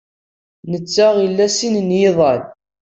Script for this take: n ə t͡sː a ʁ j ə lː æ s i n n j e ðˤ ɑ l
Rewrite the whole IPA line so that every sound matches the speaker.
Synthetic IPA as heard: n ə t͡sː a ʁ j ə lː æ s i n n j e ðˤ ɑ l